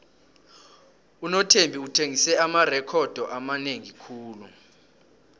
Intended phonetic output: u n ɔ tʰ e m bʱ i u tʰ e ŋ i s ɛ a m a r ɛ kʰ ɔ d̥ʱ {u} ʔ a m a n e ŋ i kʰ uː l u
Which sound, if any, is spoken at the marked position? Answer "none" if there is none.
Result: ɔ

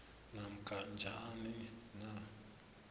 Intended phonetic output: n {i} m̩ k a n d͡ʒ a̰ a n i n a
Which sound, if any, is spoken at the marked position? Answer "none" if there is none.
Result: a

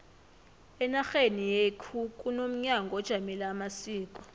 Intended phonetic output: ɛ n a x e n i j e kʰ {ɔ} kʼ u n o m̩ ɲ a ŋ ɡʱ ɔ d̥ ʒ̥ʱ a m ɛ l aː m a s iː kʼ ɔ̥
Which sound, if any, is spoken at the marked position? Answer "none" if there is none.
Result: u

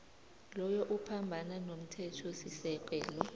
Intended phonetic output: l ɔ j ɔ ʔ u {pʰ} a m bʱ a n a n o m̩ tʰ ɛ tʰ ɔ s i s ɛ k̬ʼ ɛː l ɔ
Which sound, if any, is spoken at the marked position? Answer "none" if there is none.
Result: pʰ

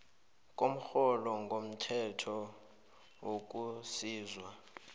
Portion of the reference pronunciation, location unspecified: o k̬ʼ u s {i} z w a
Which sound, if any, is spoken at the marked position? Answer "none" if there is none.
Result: iː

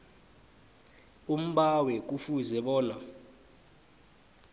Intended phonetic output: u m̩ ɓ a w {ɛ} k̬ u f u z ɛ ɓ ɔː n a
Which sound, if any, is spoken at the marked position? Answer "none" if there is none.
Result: ɛ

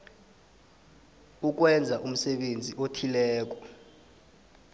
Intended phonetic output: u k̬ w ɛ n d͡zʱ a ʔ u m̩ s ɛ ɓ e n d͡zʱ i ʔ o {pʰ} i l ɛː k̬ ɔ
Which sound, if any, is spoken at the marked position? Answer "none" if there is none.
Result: tʰ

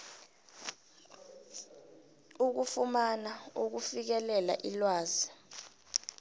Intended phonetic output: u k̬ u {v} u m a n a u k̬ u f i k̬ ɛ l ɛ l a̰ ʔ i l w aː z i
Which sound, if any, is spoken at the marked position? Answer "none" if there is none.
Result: f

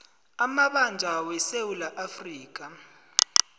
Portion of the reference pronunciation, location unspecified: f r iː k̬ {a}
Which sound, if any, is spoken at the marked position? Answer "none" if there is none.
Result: a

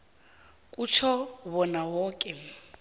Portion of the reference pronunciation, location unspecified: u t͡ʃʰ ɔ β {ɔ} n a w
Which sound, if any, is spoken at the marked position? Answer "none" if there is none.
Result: ɔ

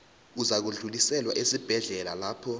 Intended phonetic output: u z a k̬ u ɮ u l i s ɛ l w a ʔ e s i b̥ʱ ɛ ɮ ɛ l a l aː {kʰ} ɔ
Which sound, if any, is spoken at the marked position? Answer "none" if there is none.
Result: pʰ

